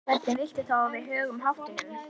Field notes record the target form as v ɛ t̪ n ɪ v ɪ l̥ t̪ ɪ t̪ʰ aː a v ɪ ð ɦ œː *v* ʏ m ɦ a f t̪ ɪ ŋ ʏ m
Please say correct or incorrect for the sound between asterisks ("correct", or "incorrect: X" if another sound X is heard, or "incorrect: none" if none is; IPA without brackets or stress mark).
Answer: incorrect: ɣ